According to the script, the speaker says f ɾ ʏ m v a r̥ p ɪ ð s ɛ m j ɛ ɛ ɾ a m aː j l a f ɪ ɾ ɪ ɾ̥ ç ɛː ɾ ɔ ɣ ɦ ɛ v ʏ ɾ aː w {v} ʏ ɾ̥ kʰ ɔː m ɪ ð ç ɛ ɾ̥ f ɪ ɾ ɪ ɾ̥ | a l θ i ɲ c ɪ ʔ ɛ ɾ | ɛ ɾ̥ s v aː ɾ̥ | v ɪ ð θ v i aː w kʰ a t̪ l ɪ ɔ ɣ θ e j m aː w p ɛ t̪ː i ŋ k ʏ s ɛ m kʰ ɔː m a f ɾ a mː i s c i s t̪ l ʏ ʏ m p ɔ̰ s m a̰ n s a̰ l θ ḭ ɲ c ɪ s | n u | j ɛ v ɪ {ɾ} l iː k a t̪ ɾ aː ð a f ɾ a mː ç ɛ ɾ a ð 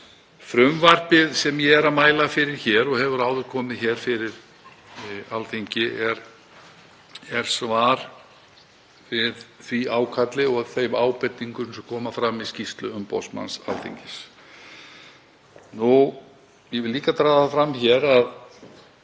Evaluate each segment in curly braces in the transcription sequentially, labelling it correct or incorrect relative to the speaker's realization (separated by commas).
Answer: incorrect, incorrect